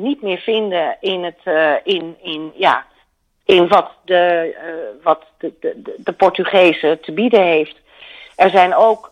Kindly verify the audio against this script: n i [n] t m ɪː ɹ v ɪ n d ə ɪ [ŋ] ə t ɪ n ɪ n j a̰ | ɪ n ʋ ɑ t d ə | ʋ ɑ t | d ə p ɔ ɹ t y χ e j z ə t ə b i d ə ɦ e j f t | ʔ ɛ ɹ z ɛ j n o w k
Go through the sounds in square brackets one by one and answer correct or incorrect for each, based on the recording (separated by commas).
incorrect, incorrect